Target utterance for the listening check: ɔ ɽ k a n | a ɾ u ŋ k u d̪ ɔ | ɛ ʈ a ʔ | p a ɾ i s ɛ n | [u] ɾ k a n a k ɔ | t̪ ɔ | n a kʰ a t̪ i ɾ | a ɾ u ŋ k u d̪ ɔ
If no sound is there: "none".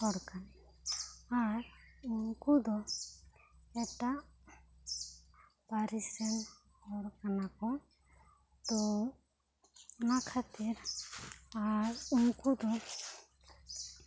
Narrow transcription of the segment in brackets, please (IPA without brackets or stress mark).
ɔ